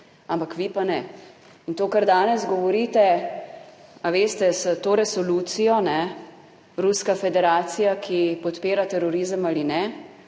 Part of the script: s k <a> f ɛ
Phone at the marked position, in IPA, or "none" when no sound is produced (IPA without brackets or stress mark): a